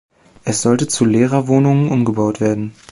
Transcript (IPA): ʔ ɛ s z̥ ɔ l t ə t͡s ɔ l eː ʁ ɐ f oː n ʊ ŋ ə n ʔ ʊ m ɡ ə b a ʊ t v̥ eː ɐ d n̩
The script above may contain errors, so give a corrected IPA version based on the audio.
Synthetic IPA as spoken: ʔ ɛ s z̥ ɔ l t ə t͡s u l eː ʁ ɐ v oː n ʊ ŋ ə n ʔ ʊ m ɡ ə b a ʊ t v̥ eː ɐ d n̩